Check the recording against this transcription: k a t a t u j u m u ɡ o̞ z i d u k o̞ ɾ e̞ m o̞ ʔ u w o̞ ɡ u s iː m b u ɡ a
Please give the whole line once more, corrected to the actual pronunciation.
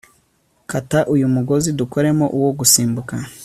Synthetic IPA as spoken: k a t a ʔ u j u m u ɡ o̞ z i d u k o̞ ɾ e̞ m o̞ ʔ u w o̞ ɡ u s iː m b u k a